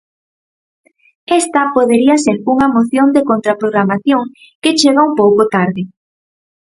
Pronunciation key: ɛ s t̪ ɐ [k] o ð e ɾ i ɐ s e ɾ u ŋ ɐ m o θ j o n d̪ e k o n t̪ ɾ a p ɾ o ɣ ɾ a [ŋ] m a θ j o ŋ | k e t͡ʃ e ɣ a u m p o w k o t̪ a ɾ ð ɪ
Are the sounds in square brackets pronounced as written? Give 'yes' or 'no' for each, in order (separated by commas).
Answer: no, no